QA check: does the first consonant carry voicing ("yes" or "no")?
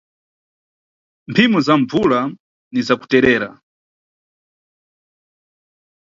yes